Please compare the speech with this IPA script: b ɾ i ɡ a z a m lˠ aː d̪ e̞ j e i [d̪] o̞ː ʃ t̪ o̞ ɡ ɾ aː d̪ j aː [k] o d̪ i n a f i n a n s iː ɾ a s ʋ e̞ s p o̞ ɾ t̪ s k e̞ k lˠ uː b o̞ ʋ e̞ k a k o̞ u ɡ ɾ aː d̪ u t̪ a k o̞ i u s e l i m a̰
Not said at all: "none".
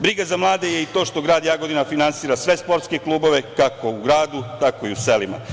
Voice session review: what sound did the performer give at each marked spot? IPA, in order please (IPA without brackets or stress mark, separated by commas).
t̪, ɡ